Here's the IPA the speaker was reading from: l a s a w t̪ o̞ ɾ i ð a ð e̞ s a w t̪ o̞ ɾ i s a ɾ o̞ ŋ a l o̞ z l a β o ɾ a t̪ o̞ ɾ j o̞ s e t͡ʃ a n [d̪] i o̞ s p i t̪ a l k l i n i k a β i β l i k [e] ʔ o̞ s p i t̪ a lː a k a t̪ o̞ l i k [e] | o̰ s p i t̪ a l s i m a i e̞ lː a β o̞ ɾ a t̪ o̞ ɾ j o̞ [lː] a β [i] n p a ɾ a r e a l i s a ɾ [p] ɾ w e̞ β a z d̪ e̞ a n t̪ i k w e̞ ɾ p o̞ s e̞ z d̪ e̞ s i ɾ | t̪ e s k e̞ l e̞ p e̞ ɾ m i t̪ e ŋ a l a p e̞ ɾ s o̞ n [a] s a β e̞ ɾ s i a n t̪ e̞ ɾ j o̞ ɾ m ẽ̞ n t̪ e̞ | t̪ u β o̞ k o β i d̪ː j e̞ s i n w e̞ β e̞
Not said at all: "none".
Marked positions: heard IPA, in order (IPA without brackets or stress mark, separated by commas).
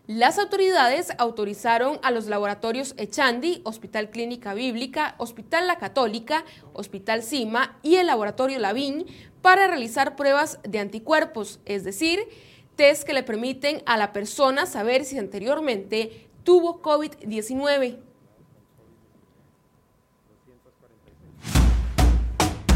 d̪, a, a, l, i, p, a